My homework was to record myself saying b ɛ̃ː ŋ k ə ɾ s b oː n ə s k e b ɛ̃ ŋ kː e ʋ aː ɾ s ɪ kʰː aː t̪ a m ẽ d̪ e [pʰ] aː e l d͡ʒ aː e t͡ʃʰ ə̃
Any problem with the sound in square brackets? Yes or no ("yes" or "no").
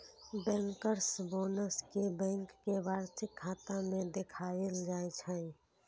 yes